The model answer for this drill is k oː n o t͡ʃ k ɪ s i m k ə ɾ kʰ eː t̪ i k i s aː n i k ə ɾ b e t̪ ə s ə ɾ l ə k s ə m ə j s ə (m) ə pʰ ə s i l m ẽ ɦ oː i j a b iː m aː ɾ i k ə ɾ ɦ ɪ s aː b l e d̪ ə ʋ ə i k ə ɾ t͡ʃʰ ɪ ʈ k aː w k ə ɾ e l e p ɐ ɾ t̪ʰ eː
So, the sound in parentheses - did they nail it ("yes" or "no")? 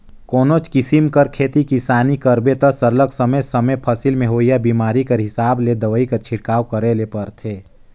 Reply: yes